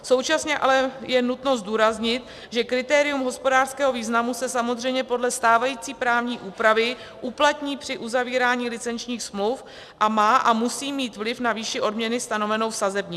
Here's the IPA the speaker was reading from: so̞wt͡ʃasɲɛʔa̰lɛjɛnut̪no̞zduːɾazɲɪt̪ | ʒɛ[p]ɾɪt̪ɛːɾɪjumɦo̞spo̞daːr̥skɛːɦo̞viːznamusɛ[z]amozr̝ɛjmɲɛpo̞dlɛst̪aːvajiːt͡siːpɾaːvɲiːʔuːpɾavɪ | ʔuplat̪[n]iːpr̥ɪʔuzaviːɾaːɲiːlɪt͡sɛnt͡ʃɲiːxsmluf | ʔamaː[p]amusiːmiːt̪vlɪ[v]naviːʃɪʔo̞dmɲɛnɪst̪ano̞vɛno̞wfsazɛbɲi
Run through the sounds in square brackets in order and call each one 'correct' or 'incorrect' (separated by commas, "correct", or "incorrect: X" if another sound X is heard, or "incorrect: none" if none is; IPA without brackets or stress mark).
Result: incorrect: k, incorrect: s, incorrect: ɲ, incorrect: ʔ, incorrect: f